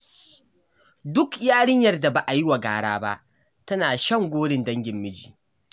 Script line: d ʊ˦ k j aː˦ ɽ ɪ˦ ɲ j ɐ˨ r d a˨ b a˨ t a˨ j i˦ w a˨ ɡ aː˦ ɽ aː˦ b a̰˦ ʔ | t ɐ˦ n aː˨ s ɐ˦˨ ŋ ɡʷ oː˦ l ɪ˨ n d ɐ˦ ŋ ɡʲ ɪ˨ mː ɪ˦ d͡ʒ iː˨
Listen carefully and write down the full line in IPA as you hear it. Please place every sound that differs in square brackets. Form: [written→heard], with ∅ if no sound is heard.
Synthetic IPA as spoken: d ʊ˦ k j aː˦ ɽ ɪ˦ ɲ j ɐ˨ r d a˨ b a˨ [t→ʔ] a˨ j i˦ w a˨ ɡ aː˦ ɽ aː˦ b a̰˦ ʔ | t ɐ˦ n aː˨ [s→ʃ] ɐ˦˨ ŋ ɡʷ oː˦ [l→ɽ] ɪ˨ n d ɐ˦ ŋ ɡʲ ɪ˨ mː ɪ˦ d͡ʒ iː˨